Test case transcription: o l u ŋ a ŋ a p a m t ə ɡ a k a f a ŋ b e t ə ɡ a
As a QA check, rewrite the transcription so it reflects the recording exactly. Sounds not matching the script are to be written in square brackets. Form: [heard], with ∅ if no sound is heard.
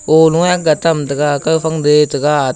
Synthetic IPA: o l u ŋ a [ɡ] a [t] a m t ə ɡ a k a f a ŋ [d] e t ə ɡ a